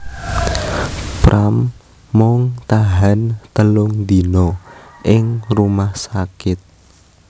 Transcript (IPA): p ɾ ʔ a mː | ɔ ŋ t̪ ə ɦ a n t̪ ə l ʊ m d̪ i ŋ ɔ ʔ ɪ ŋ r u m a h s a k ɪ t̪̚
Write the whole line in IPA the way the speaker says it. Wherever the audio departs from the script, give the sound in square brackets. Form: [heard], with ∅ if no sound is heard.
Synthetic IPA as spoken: p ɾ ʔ a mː | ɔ ŋ t̪ [a] ɦ a n t̪ ə l ʊ [ŋ] d̪ i [n] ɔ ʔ ɪ ŋ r u m a h s a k ɪ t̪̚